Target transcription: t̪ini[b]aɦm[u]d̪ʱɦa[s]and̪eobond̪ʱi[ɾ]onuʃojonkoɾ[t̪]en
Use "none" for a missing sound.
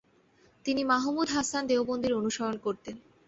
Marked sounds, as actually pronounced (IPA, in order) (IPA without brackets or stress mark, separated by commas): m, u, s, ɾ, t̪